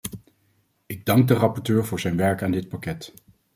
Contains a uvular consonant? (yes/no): no